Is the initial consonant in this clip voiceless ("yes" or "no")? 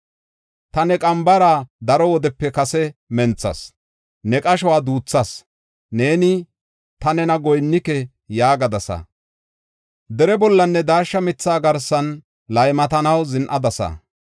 yes